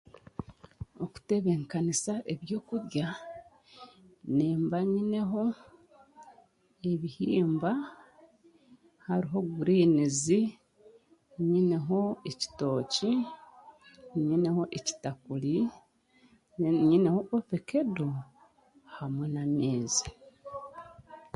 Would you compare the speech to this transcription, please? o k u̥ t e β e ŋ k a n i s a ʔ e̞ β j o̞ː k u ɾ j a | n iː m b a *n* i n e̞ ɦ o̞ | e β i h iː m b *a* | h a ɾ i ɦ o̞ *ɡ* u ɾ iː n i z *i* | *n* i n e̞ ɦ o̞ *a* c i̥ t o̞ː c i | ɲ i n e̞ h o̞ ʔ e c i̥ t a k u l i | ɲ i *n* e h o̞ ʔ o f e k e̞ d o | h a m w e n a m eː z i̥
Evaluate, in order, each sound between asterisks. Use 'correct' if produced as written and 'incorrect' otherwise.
incorrect: ɲ, correct, correct, correct, incorrect: ɲ, incorrect: e, correct

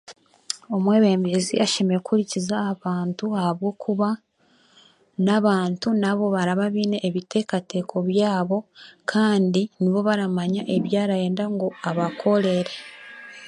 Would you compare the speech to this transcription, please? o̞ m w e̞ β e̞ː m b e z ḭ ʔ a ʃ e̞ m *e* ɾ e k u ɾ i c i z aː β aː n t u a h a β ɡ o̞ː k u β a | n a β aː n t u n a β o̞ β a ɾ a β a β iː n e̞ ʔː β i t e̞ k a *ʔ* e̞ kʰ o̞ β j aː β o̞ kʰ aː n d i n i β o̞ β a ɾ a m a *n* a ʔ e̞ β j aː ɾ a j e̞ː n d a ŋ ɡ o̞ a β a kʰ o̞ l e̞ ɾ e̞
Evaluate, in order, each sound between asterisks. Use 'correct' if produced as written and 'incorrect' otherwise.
correct, incorrect: t, incorrect: ɲ

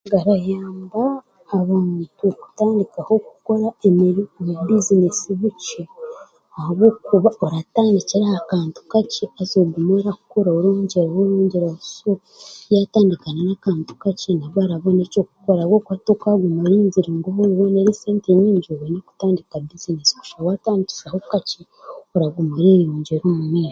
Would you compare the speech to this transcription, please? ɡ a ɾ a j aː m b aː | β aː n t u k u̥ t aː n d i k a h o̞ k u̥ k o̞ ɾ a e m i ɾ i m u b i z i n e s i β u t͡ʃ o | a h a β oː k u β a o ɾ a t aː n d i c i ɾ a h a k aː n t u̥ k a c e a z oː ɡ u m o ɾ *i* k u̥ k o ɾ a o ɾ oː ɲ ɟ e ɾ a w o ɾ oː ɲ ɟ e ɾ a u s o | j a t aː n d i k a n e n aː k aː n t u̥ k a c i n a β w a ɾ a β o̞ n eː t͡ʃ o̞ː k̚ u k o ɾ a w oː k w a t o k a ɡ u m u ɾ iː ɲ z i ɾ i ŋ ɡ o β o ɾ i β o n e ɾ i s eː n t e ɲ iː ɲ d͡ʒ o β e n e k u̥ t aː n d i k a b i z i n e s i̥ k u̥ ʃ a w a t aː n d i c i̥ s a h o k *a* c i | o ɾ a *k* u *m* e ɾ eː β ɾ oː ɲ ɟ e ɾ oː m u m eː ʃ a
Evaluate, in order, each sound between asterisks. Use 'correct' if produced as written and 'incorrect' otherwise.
incorrect: a, correct, incorrect: ɡ, correct

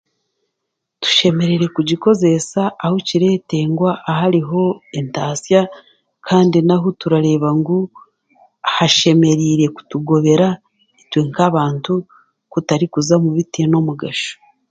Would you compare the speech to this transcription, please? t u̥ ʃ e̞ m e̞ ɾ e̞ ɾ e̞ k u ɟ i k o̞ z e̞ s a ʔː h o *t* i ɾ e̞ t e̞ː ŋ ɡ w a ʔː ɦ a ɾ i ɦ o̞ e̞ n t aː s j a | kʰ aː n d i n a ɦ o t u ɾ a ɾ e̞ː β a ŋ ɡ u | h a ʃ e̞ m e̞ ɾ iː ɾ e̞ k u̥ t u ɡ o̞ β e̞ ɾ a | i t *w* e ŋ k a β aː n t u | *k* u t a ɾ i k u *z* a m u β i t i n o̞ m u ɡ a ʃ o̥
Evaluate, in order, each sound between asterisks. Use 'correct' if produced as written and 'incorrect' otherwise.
incorrect: c, correct, correct, correct

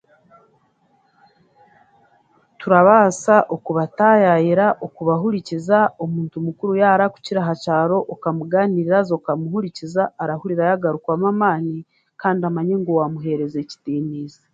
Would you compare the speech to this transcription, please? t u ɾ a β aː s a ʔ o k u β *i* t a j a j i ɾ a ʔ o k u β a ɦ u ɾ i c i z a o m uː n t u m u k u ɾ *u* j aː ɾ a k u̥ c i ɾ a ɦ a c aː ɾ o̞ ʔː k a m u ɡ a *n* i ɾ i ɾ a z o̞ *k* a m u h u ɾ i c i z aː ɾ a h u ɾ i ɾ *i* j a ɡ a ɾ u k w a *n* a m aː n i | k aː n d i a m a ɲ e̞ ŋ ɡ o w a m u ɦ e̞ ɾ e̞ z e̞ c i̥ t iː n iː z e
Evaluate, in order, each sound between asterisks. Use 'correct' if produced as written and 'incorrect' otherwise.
incorrect: a, correct, correct, correct, incorrect: a, incorrect: m

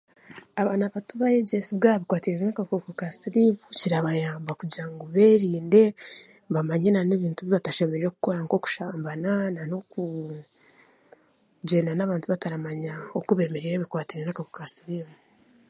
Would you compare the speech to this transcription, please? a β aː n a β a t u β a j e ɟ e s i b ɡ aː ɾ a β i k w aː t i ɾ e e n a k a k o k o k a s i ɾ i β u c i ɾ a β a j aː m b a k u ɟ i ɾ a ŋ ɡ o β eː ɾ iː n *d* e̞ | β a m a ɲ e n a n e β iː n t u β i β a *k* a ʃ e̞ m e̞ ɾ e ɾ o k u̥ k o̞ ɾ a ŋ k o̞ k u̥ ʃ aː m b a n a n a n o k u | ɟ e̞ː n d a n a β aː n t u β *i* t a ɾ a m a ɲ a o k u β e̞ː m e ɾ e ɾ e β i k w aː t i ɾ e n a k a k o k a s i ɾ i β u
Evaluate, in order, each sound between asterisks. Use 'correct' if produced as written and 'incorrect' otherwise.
correct, incorrect: t, incorrect: a

